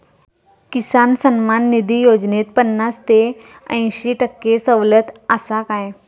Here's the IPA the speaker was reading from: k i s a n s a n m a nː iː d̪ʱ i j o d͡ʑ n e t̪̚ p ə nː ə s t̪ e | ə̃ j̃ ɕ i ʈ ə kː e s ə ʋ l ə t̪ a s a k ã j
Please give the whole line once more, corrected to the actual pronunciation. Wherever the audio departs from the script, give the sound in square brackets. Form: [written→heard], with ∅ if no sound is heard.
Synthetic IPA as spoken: k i s a n s [a→ə] n m a nː [iː→i] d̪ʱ i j o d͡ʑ n e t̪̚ p ə nː [ə→a] s t̪ e | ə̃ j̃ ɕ i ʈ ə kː e s ə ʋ l ə t̪ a s a k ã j